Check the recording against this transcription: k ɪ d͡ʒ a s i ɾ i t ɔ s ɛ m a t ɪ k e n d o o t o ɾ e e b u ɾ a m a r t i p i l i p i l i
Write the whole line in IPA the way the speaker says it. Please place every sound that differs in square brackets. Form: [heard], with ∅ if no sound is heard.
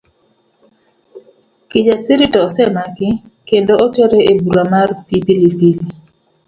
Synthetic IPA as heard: k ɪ d͡ʒ a s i ɾ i t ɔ s ɛ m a [k] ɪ k e n d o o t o ɾ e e b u ɾ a m a r [p] i p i l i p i l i